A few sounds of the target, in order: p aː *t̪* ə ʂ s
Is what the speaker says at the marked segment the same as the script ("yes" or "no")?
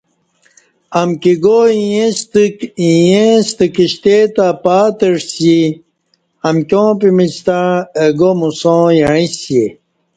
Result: yes